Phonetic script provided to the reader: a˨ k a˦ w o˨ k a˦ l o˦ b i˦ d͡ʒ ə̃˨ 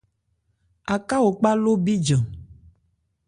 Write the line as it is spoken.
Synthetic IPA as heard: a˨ k a˦ w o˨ k͡p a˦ l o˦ b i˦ d͡ʒ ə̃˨